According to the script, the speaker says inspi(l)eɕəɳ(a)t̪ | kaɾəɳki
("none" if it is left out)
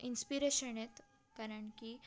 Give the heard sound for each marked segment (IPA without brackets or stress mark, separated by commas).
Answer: ɾ, e